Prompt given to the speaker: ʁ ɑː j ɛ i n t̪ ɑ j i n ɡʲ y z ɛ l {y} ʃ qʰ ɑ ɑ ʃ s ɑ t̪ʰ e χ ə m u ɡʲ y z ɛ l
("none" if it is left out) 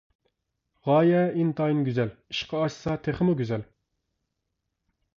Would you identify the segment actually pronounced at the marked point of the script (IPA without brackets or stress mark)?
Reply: i